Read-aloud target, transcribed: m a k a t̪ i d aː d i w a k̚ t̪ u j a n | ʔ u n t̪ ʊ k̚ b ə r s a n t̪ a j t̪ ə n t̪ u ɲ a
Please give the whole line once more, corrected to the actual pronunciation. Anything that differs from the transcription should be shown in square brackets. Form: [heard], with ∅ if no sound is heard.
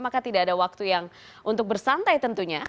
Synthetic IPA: m a k a t̪ i d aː d [a] w a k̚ t̪ u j a [ŋ] | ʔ u n t̪ ʊ k̚ b ə r s a n t̪ a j t̪ ə n t̪ u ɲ a